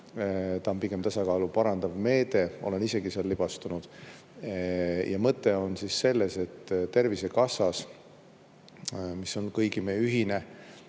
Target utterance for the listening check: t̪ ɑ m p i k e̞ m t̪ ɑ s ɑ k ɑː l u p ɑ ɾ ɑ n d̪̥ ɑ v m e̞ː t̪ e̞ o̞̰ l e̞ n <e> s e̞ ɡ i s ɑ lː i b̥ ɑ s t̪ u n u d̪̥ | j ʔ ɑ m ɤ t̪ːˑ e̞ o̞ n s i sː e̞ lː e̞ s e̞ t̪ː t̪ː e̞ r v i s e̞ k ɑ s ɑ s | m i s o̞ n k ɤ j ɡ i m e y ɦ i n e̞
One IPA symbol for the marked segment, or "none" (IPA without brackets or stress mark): i